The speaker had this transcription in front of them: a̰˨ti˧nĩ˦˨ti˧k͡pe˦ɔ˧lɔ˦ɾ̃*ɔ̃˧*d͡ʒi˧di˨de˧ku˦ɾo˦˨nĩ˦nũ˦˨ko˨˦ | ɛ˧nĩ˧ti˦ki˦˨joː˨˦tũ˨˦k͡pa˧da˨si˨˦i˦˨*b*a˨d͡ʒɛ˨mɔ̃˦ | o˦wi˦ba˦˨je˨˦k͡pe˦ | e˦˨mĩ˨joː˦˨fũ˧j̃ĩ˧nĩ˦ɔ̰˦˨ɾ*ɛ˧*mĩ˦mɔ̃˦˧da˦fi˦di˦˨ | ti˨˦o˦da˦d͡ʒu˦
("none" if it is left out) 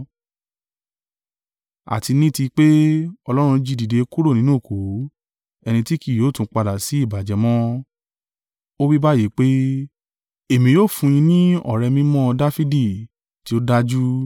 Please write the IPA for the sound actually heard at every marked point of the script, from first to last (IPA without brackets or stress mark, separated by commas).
ũ˧, b, ɛ˧